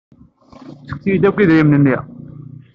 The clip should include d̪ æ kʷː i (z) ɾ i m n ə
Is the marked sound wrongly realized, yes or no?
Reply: yes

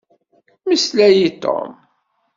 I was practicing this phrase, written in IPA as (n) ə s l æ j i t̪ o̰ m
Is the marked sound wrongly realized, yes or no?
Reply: yes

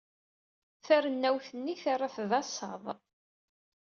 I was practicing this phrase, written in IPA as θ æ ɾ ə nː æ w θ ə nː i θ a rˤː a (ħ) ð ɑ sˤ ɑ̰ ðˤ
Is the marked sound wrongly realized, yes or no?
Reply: yes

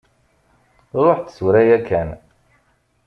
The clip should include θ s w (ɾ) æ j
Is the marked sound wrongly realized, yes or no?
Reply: no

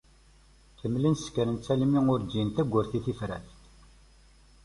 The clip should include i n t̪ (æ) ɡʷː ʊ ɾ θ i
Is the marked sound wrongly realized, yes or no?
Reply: no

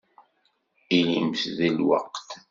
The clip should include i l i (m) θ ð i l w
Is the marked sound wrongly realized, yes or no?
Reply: no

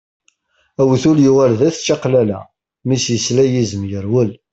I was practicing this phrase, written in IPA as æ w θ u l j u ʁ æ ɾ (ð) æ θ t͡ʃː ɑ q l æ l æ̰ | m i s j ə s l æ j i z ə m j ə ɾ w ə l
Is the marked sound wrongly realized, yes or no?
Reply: no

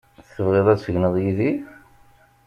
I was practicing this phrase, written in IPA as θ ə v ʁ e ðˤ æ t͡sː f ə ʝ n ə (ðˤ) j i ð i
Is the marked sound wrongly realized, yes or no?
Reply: no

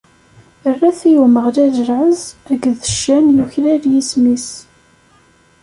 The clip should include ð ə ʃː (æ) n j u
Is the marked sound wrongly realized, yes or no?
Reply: no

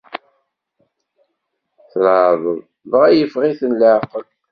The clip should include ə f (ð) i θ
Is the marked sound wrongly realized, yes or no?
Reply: yes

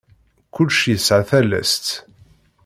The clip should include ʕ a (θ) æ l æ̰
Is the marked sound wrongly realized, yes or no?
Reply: no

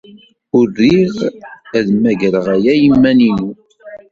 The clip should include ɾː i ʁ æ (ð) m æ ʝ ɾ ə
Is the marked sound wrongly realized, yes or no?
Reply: no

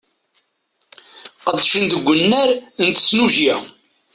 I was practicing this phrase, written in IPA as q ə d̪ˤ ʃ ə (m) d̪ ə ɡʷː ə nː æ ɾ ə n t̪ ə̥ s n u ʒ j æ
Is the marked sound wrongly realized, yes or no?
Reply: yes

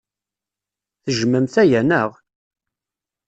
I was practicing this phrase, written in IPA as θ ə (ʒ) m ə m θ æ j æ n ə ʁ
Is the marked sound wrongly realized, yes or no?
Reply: no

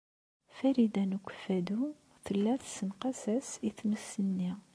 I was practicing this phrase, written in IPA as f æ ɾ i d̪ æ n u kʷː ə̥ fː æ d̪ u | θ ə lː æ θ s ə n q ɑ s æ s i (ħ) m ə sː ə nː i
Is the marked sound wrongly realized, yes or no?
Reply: yes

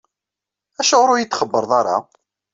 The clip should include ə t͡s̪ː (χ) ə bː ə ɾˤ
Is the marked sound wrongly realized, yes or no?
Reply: no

